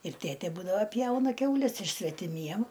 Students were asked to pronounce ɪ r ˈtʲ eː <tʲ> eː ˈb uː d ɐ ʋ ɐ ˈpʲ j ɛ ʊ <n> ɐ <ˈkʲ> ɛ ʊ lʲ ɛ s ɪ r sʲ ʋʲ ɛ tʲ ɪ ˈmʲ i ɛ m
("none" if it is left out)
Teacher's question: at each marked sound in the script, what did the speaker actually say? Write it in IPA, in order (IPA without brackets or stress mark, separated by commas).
tʲ, n, kʲ